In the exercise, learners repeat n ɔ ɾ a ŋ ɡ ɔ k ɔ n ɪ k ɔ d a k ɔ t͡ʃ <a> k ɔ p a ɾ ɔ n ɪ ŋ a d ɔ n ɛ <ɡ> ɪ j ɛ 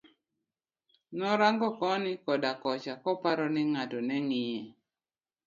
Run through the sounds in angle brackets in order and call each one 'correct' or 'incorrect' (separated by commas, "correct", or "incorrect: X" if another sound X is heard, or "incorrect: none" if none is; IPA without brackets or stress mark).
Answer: correct, incorrect: ŋ